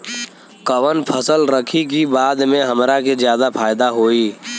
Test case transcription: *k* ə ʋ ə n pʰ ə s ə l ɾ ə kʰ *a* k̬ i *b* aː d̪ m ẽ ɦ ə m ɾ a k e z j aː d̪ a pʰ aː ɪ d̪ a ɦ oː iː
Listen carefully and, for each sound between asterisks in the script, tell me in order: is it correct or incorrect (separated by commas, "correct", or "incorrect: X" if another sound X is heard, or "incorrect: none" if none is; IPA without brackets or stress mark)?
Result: correct, incorrect: i, correct